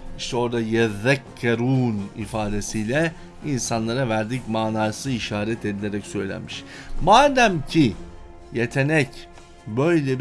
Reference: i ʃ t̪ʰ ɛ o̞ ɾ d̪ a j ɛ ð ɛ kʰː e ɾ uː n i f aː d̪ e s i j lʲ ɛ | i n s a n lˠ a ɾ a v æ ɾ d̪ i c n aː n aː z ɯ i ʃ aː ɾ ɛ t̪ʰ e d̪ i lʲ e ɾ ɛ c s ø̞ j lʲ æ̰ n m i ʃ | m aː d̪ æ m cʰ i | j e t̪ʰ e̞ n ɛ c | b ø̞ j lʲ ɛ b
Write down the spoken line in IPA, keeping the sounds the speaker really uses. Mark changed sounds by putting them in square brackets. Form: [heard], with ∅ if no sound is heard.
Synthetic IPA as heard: i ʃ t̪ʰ ɛ o̞ ɾ d̪ a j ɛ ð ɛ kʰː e ɾ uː n i f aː d̪ e s i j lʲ ɛ | i n s a n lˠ a ɾ a v æ ɾ d̪ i c [m] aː n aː [s] ɯ i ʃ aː ɾ ɛ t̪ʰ e d̪ i lʲ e ɾ ɛ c s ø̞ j lʲ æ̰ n m i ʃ | m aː d̪ æ m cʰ i | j e t̪ʰ e̞ n ɛ c | b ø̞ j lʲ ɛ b